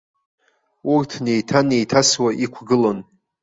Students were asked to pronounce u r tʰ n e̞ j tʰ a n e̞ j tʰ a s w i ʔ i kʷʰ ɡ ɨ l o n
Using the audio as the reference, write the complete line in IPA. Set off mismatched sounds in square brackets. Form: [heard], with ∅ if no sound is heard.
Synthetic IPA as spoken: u r tʰ n e̞ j tʰ a n e̞ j tʰ a s w [a] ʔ i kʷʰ ɡ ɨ l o n